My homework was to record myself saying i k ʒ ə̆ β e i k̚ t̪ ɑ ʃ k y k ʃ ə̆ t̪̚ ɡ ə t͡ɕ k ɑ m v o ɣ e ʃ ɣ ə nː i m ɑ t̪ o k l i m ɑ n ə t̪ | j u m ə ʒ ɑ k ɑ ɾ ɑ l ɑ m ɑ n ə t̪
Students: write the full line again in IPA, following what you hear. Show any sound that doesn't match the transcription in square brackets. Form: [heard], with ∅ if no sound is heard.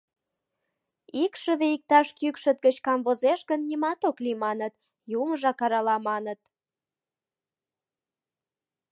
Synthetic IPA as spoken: i k [ʃ] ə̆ β e i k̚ t̪ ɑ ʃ k y k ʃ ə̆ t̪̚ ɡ ə t͡ɕ k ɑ m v o [z] e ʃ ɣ ə nː i m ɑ t̪ o k l i m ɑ n ə t̪ | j u m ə ʒ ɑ k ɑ ɾ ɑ l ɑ m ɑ n ə t̪